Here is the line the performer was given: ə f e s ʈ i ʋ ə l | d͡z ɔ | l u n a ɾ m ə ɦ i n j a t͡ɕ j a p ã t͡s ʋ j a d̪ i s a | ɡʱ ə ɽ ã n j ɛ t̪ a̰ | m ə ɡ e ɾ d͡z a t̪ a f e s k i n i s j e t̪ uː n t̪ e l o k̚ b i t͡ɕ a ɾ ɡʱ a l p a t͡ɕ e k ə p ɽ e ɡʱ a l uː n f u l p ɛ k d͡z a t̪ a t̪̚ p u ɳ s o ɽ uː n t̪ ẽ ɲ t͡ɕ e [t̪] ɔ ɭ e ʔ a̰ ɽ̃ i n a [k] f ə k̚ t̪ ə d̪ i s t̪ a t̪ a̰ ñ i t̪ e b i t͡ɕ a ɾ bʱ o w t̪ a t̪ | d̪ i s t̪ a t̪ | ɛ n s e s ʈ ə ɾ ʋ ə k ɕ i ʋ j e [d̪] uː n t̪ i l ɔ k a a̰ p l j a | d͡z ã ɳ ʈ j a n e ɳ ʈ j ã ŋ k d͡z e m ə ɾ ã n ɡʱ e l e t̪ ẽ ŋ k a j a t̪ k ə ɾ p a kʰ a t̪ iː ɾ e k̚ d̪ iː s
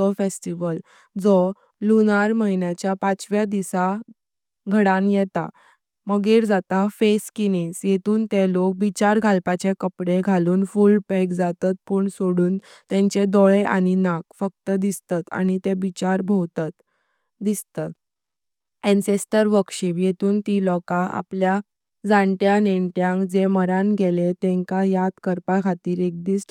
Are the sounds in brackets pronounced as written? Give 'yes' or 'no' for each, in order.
no, yes, no

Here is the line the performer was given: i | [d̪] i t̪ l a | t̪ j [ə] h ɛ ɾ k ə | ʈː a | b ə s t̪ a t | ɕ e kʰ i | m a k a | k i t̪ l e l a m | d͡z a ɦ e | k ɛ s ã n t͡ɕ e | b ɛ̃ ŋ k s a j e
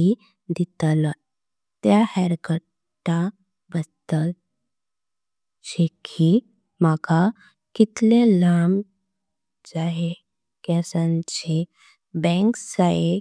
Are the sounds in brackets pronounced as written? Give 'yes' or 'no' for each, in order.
yes, no

